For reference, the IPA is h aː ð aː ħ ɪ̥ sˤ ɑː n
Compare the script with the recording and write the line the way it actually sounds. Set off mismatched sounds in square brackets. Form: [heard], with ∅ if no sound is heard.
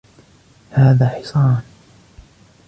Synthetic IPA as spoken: h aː ð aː ħ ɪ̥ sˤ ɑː n